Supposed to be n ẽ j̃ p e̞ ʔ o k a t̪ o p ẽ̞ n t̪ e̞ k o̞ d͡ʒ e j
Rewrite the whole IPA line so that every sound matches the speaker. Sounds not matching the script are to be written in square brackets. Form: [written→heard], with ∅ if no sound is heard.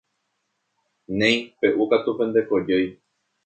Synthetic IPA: n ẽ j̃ p e̞ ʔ [o→u] k a t̪ [o→u] p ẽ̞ n [t̪→d̪] e̞ k o̞ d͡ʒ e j